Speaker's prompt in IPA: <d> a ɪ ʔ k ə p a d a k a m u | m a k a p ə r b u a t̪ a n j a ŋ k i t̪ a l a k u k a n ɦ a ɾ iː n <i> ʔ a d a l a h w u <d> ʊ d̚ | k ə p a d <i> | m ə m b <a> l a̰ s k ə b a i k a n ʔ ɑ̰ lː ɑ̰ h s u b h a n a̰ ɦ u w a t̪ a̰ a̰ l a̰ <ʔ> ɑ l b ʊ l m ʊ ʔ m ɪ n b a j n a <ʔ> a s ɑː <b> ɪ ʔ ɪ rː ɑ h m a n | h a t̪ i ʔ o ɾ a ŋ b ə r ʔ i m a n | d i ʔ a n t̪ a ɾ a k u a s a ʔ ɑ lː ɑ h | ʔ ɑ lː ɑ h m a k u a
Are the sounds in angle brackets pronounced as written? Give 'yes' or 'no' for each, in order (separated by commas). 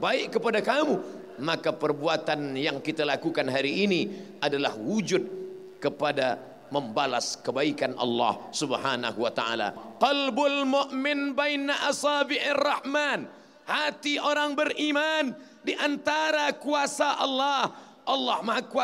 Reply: no, yes, no, no, yes, no, yes, yes